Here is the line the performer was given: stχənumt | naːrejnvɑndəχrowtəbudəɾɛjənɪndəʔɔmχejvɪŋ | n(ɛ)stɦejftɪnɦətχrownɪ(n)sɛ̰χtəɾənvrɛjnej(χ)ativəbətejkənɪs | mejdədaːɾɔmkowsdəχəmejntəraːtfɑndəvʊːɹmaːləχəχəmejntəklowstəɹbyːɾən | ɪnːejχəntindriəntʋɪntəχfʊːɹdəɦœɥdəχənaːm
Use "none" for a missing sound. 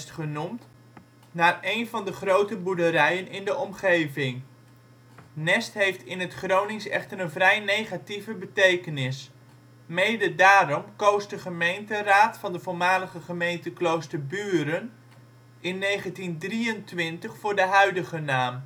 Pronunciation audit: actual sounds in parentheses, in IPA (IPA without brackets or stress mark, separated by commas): ɛ, ŋ, χ